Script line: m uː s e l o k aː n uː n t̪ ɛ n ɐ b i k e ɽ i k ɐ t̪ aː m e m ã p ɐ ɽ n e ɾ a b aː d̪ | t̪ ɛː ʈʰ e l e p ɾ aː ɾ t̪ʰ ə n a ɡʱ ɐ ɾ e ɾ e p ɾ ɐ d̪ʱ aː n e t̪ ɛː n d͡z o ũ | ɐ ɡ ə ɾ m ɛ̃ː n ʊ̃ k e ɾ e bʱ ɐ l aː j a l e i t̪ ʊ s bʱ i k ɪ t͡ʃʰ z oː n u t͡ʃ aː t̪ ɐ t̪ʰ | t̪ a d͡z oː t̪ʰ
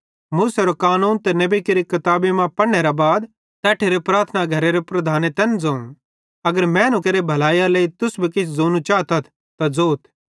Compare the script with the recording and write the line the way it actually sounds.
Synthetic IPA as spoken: m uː s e ɾ o k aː n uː n t̪ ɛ n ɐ b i k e ɾ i k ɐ t̪ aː b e m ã p ɐ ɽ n e ɾ a b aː d̪ | t̪ ɛː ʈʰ e ɾ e p ɾ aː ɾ t̪ʰ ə n a ɡʱ ɐ ɾ e ɾ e p ɾ ɐ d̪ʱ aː n e t̪ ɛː n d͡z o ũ | ɐ ɡ ə ɾ m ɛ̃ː n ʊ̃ k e ɾ e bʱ ɐ l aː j a l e i t̪ ʊ s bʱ i k ɪ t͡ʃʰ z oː n u t͡ʃ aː t̪ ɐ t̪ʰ | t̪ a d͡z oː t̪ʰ

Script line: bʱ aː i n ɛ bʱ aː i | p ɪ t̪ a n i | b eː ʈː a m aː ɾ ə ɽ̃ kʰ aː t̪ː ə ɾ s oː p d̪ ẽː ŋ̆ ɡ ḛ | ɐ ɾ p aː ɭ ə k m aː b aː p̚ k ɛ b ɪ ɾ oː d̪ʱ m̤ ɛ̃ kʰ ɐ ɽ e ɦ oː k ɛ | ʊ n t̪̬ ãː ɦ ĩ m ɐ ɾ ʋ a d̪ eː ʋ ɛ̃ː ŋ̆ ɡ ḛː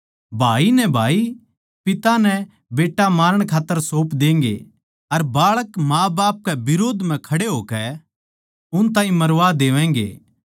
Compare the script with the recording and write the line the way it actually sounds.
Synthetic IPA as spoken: bʱ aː i n ɛ bʱ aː i | p ɪ t̪ a n ɛ | b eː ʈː a m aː ɾ ə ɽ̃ kʰ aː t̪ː ə ɾ s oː p d̪ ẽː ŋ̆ ɡ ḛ | ɐ ɾ b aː ɭ ə k m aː b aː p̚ k ɛ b ɪ ɾ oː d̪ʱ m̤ ɛ̃ kʰ ɐ ɽ e ɦ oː k ɛ | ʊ n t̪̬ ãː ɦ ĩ m ɐ ɾ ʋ a d̪ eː ʋ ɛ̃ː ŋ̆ ɡ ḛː

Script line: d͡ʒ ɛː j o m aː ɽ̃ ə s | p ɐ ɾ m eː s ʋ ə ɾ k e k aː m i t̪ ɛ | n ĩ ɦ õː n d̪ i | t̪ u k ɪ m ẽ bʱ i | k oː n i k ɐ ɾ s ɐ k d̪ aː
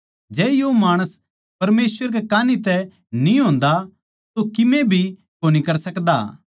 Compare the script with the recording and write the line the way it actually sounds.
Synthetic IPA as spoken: d͡ʒ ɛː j o m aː ɽ̃ ə s | p ɐ ɾ m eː s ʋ ə ɾ k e k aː n i t̪ ɛ | n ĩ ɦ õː n d̪ a | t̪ o k ɪ m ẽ bʱ i | k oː n i k ɐ ɾ s ɐ k d̪ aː

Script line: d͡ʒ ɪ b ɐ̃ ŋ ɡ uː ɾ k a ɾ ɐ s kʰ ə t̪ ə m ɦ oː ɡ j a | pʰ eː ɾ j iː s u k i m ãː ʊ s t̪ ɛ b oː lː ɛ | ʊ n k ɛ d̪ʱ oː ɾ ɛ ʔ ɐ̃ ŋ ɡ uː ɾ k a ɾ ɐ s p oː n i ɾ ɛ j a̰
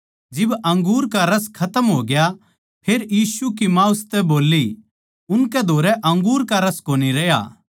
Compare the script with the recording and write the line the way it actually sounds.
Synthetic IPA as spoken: d͡ʒ ɪ b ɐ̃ ŋ ɡ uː ɾ k a ɾ ɐ s kʰ ɐ t̪ ə m ɦ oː ɡ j a | pʰ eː ɾ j iː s u k i m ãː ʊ s t̪ ɛ b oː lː i | ʊ n k ɛ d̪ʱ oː ɾ ɛ ʔ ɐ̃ ŋ ɡ uː ɾ k a ɾ ɐ s k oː n i ɾ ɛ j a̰

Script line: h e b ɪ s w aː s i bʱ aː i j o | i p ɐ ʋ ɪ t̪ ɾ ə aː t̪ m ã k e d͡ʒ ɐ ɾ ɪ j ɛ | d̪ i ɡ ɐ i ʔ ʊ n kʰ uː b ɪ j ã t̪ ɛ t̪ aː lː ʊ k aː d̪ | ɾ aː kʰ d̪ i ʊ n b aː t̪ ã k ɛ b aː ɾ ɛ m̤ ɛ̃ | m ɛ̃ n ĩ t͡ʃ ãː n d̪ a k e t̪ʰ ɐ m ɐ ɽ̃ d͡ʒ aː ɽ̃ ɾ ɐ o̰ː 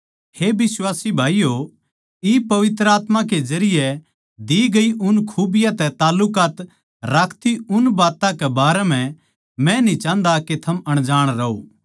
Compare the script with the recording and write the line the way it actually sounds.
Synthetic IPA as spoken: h e b ɪ s w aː s i bʱ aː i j o | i p ɐ ʋ ɪ t̪ ɾ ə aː t̪ m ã k e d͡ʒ ɐ ɾ ɪ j ɛ | d̪ i ɡ ɐ i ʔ ʊ n kʰ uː b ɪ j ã t̪ ɛ t̪ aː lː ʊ k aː t̪ | ɾ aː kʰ t̪ i ʊ n b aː t̪ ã k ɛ b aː ɾ ɛ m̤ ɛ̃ | m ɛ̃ n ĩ t͡ʃ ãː n d̪ a k e t̪ʰ ɐ m ɐ ɽ̃ d͡ʒ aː ɽ̃ ɾ ɐ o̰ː

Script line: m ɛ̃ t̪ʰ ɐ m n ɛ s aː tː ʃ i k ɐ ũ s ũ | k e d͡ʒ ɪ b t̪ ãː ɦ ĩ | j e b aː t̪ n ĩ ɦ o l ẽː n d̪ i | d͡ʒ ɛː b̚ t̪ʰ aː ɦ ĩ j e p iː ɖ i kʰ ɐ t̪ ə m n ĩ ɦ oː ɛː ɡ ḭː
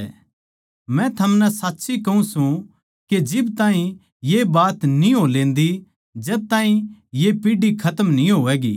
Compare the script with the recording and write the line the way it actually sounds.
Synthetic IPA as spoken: m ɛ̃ t̪ʰ ɐ m n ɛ s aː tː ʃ i k ɐ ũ s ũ | k e d͡ʒ ɪ b t̪ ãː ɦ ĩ | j e b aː t̪ n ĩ ɦ o l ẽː n d̪ i | d͡ʒ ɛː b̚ t̪ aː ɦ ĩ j e p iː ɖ i kʰ ɐ t̪ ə m n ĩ ɦ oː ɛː ɡ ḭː

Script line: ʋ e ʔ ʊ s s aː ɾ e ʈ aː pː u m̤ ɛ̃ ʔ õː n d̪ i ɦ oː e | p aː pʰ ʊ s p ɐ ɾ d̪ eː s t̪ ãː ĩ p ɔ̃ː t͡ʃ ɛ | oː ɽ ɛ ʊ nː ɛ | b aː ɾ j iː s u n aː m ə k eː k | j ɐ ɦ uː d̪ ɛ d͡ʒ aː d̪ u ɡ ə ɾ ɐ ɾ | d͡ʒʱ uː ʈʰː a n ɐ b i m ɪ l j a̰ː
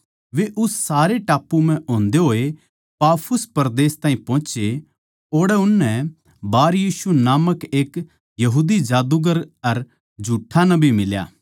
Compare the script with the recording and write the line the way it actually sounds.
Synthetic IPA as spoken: ʋ e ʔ ʊ s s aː ɾ e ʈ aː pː u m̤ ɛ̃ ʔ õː n d̪ e ɦ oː e | p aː pʰ ʊ s p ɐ ɾ d̪ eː s t̪ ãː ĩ p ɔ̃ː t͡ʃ e | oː ɽ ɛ ʊ nː ɛ | b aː ɾ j iː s u n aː m ə k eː k | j ɐ ɦ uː d̪ i d͡ʒ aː d̪ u ɡ ə ɾ ɐ ɾ | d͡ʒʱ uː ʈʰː a n ɐ b i m ɪ l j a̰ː

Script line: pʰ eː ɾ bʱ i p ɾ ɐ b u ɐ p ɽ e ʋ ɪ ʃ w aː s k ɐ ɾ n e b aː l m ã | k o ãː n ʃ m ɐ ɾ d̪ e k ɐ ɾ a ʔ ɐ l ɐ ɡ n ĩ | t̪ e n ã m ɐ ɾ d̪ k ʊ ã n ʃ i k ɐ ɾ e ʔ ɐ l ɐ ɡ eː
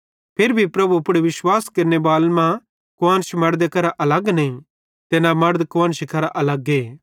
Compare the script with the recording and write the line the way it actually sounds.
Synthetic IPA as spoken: pʰ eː ɾ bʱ i p ɾ ɐ b u ɐ p ɽ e ʋ ɪ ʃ w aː s k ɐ ɾ n e b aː l m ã | k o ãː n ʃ m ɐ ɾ d̪ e k ɐ ɾ a ʔ ɐ l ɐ ɡ n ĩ | t̪ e n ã m ɐ ɾ d̪ k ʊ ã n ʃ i k ɐ ɾ a ʔ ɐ l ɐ ɡ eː

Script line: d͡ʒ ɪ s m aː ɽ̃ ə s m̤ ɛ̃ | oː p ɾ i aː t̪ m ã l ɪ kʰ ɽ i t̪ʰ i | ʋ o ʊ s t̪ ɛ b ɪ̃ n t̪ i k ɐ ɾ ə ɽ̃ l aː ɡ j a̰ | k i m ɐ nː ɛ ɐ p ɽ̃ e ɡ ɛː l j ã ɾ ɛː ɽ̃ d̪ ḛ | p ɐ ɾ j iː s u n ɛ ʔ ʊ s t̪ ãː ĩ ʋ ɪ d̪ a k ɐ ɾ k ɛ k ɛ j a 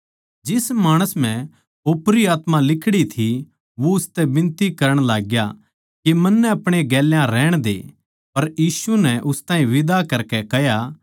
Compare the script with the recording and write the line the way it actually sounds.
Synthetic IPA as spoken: d͡ʒ ɪ s m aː ɽ̃ ə s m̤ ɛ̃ | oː p ɾ i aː t̪ m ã l ɪ kʰ ɽ i t̪ʰ i | ʋ o ʊ s t̪ ɛ b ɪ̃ n t̪ i k ɐ ɾ ə ɽ̃ l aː ɡ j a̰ | k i m ɐ nː ɛ ɐ p ɽ̃ e ɡ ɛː l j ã ɾ ɛː ɽ̃ d̪ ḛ | p ɐ ɾ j iː s u n ɛ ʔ ʊ s t̪ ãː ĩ ʋ ɪ d̪ a k ɐ ɾ k ɛ k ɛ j a

